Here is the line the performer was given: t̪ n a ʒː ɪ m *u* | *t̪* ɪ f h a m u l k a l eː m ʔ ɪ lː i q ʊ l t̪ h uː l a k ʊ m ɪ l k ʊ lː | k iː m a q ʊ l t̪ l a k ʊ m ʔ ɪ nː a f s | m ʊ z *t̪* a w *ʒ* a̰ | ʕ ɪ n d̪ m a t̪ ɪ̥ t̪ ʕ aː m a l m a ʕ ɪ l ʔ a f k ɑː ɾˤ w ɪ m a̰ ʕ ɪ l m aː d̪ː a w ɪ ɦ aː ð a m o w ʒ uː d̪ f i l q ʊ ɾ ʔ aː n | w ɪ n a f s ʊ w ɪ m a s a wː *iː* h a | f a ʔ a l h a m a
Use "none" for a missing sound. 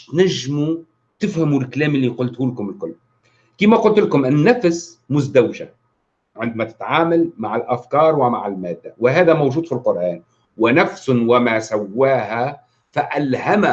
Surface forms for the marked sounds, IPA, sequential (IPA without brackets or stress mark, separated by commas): u, t̪, d̪, ʒ, aː